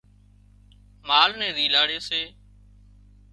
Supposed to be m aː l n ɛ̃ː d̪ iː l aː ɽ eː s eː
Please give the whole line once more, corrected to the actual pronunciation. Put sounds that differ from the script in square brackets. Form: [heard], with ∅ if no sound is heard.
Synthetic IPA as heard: m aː l n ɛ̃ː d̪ iː l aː ɽ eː s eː

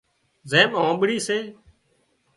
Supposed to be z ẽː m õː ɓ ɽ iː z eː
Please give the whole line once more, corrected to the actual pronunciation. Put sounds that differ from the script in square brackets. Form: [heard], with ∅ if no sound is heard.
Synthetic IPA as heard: z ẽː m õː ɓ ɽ iː [s] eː

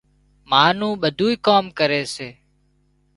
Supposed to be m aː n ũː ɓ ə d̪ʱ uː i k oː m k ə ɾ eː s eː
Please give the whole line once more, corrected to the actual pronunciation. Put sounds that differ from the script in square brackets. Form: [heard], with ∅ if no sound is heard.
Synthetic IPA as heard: m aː n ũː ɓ ə d̪ʱ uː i k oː m k ə ɾ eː s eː

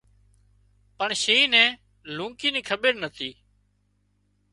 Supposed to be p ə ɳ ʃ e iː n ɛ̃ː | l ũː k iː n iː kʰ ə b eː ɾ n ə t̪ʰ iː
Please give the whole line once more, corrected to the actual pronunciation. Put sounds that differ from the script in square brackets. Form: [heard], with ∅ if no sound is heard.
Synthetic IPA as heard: p ə ɳ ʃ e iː n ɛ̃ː | l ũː k iː n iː kʰ ə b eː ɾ n ə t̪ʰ iː

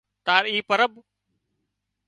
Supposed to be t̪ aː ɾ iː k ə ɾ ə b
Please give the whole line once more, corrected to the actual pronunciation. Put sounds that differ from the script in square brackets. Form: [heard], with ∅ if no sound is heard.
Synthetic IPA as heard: t̪ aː ɾ iː [p] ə ɾ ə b

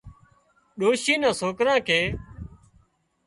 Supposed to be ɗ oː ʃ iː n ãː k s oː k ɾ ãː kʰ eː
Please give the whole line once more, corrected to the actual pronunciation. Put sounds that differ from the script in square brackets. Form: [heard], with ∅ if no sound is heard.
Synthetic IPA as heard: ɗ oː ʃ iː n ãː [∅] s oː k ɾ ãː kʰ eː

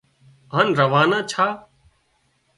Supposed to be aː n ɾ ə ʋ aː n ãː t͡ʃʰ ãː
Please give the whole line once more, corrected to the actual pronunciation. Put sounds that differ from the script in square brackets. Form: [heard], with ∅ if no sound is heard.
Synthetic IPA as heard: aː n ɾ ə ʋ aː n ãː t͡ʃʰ [aː]

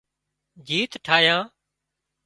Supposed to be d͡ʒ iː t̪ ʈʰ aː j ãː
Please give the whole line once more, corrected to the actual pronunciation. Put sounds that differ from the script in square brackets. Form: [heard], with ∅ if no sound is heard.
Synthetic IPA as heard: d͡ʒ iː t̪ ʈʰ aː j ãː

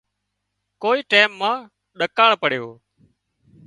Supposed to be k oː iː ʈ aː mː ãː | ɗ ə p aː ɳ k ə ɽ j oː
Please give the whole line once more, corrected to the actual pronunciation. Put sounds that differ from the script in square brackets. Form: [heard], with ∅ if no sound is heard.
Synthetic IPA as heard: k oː iː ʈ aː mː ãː | ɗ ə [k] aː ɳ [p] ə ɽ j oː

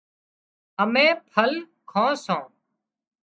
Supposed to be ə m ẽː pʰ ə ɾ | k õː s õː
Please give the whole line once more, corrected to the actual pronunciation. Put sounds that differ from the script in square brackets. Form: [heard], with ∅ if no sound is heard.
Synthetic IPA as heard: ə m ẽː pʰ ə [l] | [kʰ] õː s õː

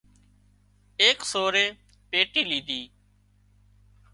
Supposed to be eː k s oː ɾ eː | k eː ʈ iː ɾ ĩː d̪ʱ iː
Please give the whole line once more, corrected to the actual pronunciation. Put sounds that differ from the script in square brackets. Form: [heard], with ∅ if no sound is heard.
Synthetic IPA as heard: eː k s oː ɾ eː | [p] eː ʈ iː [l] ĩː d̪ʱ iː

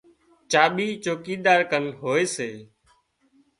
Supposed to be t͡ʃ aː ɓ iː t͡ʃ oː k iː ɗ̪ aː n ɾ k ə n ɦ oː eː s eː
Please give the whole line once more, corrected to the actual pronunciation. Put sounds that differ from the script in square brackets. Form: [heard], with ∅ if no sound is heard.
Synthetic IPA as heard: t͡ʃ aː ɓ iː t͡ʃ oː k iː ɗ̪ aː [∅] ɾ k ə n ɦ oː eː s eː

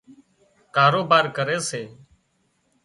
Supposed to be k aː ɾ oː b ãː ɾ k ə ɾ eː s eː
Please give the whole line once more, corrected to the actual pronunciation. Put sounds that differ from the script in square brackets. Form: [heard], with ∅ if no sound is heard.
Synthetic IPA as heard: k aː ɾ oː b [aː] ɾ k ə ɾ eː s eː

